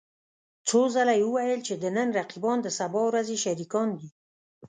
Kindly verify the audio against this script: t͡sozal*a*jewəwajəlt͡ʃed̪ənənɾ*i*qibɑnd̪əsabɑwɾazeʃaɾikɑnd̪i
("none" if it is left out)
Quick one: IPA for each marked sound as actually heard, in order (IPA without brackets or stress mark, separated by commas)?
a, a